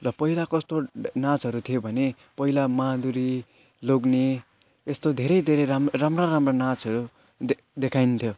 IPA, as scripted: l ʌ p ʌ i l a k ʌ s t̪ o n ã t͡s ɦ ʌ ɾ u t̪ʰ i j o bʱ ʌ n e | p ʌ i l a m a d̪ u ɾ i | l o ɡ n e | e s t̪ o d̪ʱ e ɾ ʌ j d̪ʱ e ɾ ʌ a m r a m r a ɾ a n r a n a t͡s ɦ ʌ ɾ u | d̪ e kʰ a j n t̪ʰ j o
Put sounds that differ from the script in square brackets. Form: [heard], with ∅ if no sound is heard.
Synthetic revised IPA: l ʌ p ʌ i l a k ʌ s t̪ o n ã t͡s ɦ ʌ ɾ u t̪ʰ i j o bʱ ʌ n e | p ʌ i l a m a d̪ u ɾ i | l o ɡ n e | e s t̪ o d̪ʱ e ɾ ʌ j d̪ʱ e ɾ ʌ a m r a m r a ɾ a [m] r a n a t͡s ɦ ʌ ɾ u | d̪ e kʰ a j n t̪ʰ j o